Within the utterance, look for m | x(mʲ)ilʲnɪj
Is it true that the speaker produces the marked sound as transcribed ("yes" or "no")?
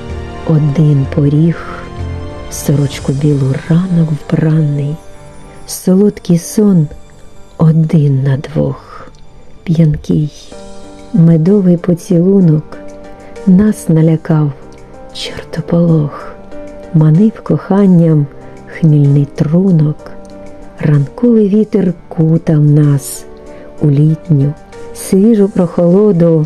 yes